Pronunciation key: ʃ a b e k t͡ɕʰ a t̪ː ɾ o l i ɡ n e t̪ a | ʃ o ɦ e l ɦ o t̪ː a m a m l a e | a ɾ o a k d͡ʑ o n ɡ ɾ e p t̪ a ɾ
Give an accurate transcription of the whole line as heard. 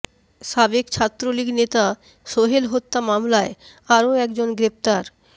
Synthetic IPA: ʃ a b e k t͡ɕʰ a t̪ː ɾ o l i ɡ n e t̪ a | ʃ o ɦ e l ɦ o t̪ː a m a m l a e | a ɾ o ɛ k d͡ʑ o n ɡ ɾ e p t̪ a ɾ